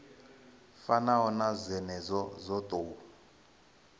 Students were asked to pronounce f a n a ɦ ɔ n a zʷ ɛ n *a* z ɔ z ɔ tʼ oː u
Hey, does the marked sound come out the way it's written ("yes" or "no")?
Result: no